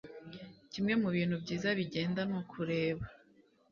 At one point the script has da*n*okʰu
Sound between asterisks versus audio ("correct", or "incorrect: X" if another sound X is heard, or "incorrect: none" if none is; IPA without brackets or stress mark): correct